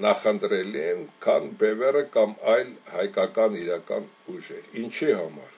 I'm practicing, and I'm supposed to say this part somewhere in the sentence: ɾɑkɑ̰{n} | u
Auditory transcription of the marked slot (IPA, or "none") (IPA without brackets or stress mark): n